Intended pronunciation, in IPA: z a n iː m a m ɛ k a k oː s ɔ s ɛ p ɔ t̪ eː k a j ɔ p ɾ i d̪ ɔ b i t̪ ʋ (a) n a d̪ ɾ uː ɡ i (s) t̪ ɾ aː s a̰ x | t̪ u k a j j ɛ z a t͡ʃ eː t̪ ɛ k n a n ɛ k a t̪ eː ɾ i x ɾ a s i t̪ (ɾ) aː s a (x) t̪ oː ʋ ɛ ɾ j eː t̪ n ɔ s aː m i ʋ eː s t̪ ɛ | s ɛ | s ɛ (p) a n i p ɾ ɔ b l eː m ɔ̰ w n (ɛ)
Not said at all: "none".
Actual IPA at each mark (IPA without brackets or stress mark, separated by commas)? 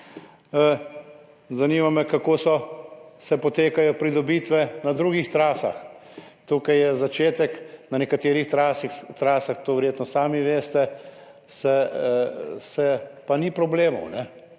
ɛ, x, ɾ, x, p, ɛ